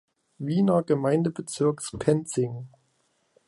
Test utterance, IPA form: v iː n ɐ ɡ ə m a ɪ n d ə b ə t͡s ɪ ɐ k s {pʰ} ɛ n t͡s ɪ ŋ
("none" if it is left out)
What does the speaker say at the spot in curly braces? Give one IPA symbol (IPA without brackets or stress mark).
pʰ